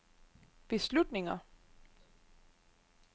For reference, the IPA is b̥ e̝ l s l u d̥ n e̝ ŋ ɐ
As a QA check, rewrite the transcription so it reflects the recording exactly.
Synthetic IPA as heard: b̥ e̝ s l u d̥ n e̝ ŋ ɐ